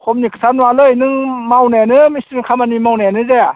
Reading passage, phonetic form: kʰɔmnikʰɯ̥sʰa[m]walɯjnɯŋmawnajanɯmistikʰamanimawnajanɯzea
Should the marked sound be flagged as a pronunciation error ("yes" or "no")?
yes